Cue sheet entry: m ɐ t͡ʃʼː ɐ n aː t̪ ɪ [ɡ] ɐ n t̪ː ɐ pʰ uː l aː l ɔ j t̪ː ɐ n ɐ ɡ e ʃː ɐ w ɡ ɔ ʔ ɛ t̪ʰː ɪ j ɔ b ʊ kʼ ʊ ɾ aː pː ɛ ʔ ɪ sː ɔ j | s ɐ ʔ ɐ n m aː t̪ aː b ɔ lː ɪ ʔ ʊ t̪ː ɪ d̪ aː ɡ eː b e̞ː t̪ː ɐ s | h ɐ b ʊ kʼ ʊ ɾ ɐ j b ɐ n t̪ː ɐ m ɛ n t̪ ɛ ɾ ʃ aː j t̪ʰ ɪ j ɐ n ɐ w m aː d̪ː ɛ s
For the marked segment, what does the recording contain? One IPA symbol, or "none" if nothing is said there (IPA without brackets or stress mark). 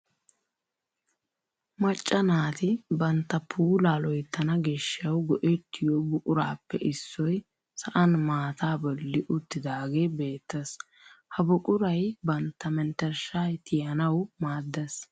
b